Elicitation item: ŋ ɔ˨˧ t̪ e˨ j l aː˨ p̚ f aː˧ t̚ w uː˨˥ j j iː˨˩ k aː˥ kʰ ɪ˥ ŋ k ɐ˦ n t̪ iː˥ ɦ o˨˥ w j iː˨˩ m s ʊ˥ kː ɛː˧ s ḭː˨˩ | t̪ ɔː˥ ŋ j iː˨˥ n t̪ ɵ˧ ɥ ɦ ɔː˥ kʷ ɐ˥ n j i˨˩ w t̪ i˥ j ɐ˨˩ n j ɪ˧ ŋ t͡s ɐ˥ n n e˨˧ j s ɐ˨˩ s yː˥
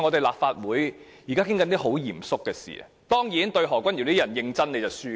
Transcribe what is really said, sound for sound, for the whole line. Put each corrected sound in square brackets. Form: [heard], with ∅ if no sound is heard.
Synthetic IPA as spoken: ŋ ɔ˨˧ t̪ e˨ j l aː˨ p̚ f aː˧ t̚ w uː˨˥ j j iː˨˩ k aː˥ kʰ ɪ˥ ŋ k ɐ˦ n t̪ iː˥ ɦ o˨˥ w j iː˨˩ m s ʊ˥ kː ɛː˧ s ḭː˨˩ | t̪ ɔː˥ ŋ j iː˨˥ n t̪ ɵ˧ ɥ ɦ [ɔː˨˩] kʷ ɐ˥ n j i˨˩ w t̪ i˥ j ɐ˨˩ n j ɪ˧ ŋ t͡s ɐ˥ n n e˨˧ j [t͡s] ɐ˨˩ s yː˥